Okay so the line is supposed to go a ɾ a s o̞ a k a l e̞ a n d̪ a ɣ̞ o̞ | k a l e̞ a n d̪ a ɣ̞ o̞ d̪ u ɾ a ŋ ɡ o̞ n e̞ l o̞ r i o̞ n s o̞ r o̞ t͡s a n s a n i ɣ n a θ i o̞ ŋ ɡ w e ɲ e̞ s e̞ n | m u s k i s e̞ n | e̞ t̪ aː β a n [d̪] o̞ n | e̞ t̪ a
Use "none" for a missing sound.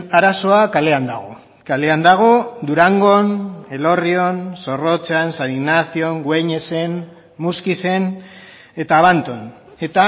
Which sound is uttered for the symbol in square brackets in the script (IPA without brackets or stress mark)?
t̪